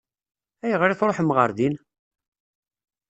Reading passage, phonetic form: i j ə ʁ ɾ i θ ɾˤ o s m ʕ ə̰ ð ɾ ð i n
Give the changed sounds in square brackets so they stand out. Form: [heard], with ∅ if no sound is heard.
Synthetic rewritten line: [æ] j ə ʁ ɾ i θ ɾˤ o [ħ] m [ʁ] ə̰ [∅] ɾ ð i n